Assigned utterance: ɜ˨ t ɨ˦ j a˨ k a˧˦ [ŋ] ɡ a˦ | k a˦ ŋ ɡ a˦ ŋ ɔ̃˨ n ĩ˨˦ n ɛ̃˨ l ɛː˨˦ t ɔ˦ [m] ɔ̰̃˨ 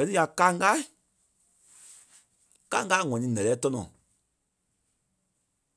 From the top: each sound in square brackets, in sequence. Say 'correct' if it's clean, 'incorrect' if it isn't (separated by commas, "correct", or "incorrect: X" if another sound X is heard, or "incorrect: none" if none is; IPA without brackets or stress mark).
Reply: correct, incorrect: n